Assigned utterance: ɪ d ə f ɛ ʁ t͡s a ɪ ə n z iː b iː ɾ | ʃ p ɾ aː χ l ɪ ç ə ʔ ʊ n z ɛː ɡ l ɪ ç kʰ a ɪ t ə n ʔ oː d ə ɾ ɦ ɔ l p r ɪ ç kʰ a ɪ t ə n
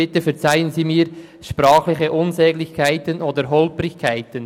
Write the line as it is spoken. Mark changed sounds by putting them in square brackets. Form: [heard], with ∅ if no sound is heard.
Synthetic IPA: ɪ [t] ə f ɛ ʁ t͡s a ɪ ə n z iː [m] iː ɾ | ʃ p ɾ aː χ l ɪ ç ə ʔ ʊ n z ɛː ɡ l ɪ ç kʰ a ɪ t ə n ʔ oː d ə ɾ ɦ ɔ l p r ɪ ç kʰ a ɪ t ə n